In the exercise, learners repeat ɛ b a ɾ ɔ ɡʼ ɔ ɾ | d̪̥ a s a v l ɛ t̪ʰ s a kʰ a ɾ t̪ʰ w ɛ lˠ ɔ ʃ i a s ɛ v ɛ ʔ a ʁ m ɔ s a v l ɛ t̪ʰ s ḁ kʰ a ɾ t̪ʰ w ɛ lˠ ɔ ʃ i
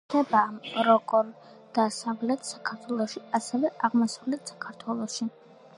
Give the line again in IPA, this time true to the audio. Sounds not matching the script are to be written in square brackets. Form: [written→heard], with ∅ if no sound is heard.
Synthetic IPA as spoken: ɛ b a ɾ ɔ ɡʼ ɔ ɾ | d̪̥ a s a v l ɛ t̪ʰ s a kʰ a ɾ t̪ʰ w ɛ lˠ ɔ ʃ i a s ɛ v ɛ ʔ a ʁ m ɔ s a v l ɛ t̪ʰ s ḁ kʰ a ɾ t̪ʰ w ɛ lˠ ɔ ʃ i